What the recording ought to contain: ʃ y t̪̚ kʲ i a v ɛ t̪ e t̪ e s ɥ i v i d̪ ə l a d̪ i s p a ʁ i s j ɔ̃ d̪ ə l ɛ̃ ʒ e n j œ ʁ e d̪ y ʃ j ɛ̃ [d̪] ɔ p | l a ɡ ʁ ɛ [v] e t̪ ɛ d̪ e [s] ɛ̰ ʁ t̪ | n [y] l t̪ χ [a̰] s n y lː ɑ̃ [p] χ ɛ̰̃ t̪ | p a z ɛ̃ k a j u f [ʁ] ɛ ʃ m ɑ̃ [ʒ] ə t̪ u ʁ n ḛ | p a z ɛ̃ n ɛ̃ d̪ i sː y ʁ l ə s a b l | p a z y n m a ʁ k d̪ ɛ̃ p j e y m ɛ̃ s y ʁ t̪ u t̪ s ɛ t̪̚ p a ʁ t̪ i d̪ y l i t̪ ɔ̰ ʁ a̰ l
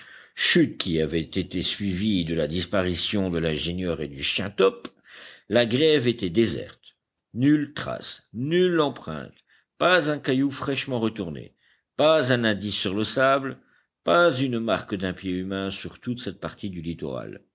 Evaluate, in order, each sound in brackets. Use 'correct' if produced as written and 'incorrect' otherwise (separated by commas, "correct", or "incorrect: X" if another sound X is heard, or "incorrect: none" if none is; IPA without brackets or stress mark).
incorrect: t̪, correct, incorrect: z, correct, correct, correct, incorrect: χ, incorrect: ʁ